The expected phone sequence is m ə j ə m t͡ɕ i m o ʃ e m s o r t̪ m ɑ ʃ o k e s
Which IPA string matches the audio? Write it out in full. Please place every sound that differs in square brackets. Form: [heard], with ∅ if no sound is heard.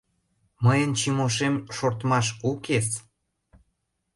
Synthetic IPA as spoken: m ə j ə [n] t͡ɕ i m o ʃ e m [ʃ] o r t̪ m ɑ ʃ [u] k e s